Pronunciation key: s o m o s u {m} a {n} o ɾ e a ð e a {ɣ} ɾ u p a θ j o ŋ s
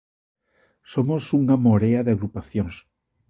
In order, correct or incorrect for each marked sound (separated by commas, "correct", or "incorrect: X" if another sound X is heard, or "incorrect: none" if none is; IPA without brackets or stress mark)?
incorrect: ŋ, incorrect: m, correct